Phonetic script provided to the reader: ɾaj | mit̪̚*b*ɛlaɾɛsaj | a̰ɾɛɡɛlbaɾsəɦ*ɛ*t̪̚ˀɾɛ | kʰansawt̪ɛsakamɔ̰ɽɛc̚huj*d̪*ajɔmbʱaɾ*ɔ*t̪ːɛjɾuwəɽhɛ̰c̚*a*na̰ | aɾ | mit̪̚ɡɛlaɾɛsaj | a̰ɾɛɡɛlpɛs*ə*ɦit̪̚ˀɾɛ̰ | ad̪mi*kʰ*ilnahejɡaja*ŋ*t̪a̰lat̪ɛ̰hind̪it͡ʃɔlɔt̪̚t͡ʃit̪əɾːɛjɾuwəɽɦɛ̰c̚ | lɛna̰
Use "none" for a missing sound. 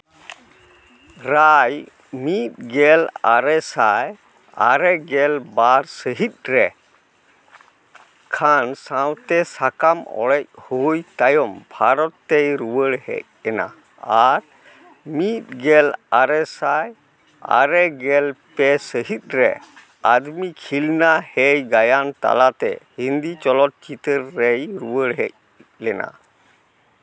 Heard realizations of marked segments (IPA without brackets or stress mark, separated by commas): ɡ, i, t̪, ɔ, ɛ, ə, kʰ, n